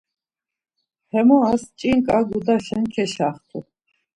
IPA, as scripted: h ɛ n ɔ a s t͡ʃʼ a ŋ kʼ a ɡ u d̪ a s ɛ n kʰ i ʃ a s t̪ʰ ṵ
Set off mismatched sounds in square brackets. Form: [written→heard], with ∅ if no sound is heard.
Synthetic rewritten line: h ɛ [n→m] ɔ a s t͡ʃʼ [a→i] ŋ kʼ a ɡ u d̪ a [s→ʃ] ɛ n kʰ [i→ɛ] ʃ a [s→χ] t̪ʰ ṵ